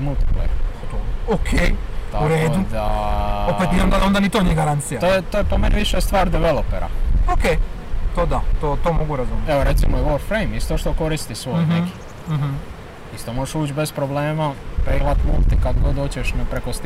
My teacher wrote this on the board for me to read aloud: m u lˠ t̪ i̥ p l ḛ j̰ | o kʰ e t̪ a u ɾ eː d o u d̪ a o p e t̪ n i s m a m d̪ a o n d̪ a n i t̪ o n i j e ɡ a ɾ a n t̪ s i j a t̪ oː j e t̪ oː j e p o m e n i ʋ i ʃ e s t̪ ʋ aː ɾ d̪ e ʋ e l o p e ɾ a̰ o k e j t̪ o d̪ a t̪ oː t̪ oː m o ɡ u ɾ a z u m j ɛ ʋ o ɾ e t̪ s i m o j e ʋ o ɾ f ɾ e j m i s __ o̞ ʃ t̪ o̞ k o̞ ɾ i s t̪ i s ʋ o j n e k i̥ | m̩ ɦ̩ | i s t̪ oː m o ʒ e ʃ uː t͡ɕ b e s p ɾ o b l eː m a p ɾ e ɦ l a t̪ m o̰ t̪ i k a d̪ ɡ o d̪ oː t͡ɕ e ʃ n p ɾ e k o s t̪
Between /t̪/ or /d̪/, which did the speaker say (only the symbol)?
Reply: t̪